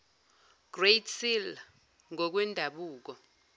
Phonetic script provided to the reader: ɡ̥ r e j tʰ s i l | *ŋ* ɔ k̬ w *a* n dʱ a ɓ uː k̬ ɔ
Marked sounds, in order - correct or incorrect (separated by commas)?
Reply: correct, incorrect